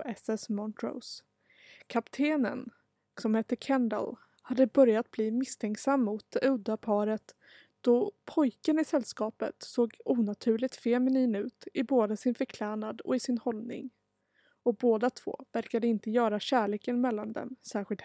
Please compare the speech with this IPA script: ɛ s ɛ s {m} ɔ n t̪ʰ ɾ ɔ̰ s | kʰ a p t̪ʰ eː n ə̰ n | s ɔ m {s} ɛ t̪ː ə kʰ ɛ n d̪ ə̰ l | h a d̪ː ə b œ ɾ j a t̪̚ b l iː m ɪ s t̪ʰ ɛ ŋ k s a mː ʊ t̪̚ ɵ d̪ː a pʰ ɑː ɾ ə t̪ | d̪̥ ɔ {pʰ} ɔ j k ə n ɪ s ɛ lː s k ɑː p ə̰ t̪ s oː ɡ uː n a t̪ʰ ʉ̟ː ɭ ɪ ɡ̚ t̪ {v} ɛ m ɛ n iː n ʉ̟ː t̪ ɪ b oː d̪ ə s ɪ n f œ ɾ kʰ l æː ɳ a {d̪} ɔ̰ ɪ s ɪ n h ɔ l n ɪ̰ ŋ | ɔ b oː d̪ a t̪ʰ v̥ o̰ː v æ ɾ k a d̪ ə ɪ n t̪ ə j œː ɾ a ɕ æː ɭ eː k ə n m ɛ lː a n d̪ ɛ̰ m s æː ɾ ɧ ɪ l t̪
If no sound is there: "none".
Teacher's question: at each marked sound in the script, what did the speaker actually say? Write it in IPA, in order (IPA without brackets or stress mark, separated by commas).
m, h, pʰ, f, d̪